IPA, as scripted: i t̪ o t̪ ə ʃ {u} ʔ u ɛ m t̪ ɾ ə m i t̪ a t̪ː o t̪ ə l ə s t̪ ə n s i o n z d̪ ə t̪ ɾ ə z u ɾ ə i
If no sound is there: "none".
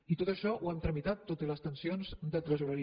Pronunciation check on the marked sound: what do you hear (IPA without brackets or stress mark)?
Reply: ɔ